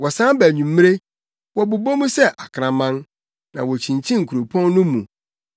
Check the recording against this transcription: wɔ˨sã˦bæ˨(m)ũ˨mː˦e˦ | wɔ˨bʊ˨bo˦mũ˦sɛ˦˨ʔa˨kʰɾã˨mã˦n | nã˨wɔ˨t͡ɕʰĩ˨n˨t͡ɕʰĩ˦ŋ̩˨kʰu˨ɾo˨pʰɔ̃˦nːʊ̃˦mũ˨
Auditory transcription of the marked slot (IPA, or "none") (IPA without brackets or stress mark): ɲ